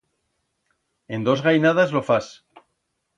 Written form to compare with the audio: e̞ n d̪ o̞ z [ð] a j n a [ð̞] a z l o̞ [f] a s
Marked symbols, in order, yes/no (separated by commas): no, yes, yes